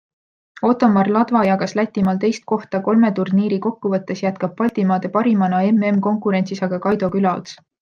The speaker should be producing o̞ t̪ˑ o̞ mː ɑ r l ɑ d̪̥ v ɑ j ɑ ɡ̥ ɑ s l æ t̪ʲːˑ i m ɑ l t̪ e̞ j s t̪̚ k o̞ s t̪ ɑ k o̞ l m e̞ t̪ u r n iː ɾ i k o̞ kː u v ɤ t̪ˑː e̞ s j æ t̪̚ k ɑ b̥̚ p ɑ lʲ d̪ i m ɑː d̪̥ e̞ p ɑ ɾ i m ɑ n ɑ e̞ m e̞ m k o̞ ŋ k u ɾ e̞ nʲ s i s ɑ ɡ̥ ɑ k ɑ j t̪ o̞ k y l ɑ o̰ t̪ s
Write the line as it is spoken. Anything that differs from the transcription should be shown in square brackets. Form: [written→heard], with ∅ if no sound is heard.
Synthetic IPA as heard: o̞ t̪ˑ o̞ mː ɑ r l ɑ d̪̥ v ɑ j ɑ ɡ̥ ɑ s l æ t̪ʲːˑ i m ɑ l t̪ e̞ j s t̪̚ k o̞ [s→h] t̪ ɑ k o̞ l m e̞ t̪ u r n iː ɾ i k o̞ kː u v ɤ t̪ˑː e̞ s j æ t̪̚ k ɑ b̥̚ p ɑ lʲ [d̪→t̪] i m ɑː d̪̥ e̞ p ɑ ɾ i m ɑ n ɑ e̞ m e̞ m k o̞ ŋ k u ɾ e̞ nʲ s i s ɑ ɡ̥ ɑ k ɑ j [t̪→d̪] o̞ k y l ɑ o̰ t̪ s